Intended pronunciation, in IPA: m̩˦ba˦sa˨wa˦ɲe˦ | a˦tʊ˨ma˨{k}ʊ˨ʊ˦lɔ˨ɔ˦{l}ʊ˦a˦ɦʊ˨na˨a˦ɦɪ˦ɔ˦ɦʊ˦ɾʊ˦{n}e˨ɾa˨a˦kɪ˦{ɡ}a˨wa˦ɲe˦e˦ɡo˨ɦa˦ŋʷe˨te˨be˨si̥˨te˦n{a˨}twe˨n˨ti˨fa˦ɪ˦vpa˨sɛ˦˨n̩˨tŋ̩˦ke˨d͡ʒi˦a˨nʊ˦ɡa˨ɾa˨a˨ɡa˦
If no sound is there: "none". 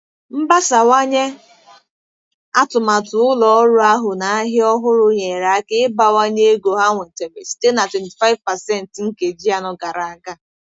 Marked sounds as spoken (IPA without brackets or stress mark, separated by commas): t, ɾ, ɲ, b, a˨